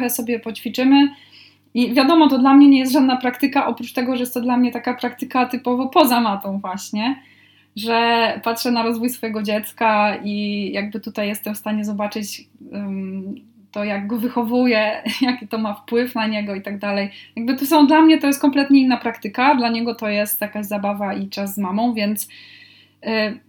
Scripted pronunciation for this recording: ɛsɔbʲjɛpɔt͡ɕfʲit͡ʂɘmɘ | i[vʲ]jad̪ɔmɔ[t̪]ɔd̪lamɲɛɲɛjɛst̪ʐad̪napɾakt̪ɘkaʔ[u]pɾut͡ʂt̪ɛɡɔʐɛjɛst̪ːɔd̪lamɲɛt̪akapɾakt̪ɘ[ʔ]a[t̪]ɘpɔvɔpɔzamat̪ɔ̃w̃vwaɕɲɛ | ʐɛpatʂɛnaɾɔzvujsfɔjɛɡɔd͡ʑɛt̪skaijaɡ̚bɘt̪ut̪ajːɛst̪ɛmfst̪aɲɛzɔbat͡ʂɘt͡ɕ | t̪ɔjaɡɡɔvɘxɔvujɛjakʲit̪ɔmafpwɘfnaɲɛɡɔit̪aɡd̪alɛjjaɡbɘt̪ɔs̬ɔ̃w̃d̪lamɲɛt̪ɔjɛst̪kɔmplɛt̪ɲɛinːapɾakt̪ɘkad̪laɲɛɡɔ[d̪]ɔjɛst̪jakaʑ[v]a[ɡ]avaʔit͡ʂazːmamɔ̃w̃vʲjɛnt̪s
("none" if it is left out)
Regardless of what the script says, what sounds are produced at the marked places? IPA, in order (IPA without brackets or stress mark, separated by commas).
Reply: vʲ, t̪, ɔ, k, t̪, t̪, z, b